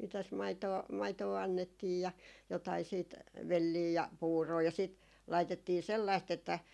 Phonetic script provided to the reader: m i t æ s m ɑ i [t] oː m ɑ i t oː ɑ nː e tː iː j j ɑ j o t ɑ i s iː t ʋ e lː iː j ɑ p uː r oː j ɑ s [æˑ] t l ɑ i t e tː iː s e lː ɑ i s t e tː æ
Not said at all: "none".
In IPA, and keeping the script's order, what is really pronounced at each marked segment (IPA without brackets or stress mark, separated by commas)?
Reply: t, iˑ